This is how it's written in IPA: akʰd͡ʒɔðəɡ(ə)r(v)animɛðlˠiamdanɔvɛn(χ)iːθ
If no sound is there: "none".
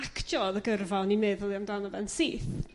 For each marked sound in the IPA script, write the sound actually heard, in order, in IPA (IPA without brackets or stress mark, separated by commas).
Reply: ə, v, s